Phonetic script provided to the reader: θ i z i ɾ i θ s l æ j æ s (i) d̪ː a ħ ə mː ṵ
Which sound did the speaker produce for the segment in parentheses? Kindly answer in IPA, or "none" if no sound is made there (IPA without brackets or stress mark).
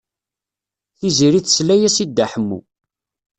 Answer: i